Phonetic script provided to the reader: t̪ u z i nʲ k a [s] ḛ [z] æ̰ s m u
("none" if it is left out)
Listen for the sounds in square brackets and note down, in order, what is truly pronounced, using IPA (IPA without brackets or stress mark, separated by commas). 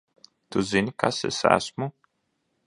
s, s